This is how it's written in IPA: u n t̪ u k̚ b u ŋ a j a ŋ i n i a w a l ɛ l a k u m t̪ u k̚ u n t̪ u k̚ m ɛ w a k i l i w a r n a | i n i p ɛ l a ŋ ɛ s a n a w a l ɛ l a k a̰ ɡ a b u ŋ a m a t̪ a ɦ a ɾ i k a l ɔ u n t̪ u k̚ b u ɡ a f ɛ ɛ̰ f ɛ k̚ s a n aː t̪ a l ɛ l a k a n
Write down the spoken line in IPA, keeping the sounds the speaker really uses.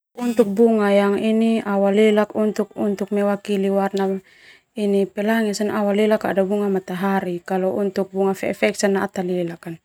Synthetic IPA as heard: u n t̪ u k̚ b u ŋ a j a ŋ i n i a w a l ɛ l a k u n t̪ u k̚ u n t̪ u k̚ m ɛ w a k i l i w a r n a | i n i p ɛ l a ŋ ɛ s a n a w a l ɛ l a k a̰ d a b u ŋ a m a t̪ a ɦ a ɾ i k a l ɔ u n t̪ u k̚ b u ŋ a f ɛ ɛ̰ f ɛ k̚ s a n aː t̪ a l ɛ l a k a n